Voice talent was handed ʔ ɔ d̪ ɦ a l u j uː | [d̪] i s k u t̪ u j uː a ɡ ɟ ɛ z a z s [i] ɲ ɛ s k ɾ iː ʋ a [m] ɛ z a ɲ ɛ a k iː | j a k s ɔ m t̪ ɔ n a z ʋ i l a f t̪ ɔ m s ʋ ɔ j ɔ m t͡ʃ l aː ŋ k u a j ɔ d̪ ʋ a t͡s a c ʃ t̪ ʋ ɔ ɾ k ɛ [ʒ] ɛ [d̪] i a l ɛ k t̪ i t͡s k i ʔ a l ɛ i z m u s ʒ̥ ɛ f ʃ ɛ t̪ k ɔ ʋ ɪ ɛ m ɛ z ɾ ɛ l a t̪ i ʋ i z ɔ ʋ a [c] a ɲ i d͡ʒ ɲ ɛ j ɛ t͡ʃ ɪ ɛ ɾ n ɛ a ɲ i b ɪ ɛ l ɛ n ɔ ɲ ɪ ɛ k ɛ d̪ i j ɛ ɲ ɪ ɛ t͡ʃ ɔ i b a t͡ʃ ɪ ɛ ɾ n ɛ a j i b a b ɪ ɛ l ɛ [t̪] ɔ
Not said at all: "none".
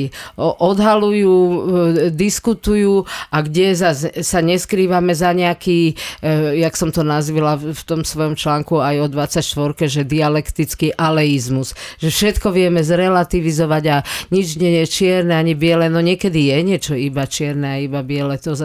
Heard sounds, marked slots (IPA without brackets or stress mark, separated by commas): d̪, a, m, ʒ, d̪, ɟ, t̪